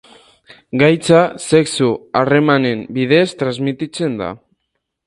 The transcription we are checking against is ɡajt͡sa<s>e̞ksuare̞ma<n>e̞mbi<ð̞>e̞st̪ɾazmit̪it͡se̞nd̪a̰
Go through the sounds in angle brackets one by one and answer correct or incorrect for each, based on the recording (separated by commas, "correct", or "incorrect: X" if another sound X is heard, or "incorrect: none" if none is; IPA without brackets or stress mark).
correct, correct, correct